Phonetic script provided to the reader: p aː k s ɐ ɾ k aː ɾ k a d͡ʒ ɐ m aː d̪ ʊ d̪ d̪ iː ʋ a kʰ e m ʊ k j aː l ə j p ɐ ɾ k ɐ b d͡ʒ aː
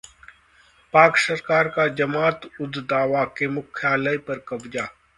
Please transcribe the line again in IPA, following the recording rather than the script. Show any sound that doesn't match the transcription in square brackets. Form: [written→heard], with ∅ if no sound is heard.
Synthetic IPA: p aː k s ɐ ɾ k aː ɾ k a d͡ʒ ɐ m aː [d̪→t̪] ʊ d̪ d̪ [iː→aː] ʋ a [kʰ→k] e m ʊ [k→kʰ] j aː l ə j p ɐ ɾ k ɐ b d͡ʒ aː